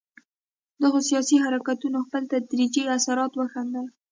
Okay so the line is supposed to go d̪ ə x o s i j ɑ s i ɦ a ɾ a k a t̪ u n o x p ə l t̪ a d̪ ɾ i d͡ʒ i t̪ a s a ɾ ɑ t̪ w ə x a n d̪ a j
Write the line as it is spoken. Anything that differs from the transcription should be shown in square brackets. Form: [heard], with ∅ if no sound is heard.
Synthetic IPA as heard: d̪ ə [ɣ] o s i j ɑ s i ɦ a ɾ a k a t̪ u n o x p ə l t̪ a d̪ ɾ i d͡ʒ i [∅] a s a ɾ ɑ t̪ w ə x a n d̪ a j